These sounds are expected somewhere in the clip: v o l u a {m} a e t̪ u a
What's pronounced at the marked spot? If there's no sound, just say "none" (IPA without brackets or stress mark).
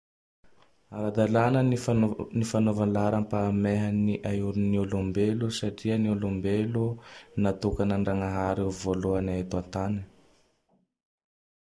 n